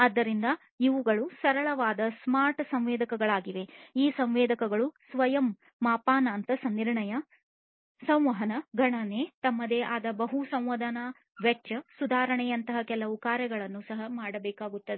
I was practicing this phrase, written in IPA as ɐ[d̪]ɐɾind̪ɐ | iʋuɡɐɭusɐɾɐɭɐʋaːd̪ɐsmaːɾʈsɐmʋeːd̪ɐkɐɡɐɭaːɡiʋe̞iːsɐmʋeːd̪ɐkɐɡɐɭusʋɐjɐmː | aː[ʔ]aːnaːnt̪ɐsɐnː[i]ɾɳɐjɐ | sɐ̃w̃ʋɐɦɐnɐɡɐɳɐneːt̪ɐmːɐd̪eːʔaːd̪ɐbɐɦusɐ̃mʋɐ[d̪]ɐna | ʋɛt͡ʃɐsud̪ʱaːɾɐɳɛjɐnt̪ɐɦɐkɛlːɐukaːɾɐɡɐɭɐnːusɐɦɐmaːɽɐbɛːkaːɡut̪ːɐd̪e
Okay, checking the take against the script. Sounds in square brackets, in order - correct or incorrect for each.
incorrect: d̪ː, incorrect: p, correct, correct

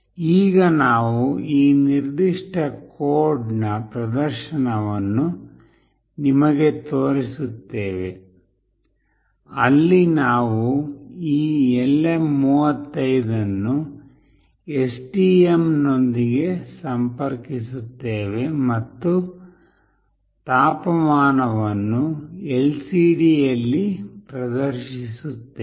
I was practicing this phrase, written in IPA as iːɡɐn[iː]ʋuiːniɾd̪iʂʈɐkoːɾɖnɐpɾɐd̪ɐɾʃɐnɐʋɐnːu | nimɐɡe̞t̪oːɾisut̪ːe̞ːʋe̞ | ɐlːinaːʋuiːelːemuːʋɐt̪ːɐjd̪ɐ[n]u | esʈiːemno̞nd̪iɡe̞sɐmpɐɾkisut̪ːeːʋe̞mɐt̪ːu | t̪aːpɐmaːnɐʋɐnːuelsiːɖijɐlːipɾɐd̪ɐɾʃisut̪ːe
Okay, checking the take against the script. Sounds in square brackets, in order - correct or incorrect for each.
incorrect: aː, incorrect: nː

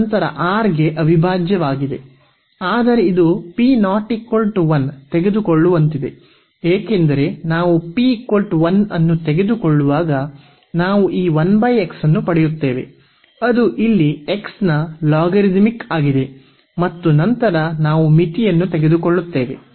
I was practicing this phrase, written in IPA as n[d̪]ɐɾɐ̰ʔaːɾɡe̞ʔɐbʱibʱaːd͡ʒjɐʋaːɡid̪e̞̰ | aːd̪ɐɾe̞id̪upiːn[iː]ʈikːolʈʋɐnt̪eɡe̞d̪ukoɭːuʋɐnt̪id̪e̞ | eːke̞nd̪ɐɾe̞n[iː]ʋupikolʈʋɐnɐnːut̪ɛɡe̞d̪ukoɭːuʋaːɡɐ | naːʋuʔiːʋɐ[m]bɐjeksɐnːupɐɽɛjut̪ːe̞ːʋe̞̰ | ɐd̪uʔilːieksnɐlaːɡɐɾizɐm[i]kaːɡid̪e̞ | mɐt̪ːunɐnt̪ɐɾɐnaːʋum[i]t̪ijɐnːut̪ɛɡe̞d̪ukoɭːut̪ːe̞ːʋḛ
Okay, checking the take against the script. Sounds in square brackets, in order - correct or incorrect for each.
incorrect: t̪, incorrect: aː, incorrect: aː, incorrect: n, correct, correct

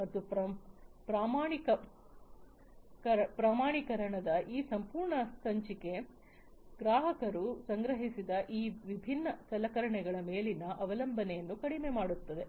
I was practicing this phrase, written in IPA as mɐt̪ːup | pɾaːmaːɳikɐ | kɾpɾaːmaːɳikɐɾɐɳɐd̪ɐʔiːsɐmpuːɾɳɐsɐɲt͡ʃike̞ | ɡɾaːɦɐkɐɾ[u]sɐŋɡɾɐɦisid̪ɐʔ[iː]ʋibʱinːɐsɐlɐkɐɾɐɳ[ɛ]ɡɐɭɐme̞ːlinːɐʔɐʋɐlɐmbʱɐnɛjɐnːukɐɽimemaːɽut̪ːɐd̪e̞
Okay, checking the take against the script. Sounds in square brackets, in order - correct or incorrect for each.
correct, correct, correct

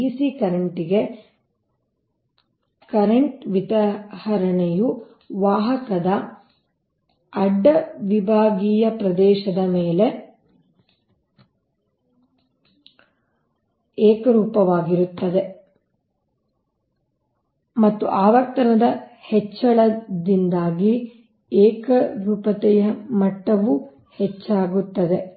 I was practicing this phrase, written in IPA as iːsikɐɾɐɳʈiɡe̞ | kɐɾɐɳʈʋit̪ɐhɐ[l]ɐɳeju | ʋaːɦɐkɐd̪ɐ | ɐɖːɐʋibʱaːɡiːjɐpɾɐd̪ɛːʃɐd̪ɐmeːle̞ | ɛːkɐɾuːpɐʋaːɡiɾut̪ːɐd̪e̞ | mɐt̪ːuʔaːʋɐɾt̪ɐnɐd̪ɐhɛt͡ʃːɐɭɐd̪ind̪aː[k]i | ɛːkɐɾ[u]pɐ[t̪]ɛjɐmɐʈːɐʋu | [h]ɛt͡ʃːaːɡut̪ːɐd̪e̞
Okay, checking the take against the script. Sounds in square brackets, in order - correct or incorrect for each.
incorrect: ɾ, incorrect: ɡ, incorrect: uː, correct, correct

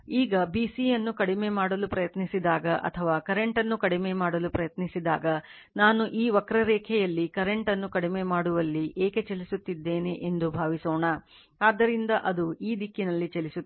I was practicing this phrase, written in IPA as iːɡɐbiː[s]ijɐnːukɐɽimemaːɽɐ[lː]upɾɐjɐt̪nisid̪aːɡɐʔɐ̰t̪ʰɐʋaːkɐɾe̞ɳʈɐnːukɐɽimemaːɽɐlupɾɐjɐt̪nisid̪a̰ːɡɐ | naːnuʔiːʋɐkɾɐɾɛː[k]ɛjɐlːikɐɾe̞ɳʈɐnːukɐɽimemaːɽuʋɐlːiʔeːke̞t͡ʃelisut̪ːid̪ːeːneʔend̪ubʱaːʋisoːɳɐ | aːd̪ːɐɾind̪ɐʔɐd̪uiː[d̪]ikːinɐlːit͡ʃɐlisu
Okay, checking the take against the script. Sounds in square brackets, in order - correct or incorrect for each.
correct, incorrect: l, incorrect: kʰ, correct

